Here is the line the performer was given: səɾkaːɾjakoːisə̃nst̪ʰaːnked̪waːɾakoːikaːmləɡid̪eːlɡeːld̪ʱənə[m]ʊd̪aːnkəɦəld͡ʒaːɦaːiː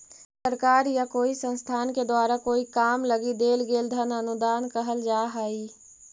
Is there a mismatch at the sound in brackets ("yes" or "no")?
yes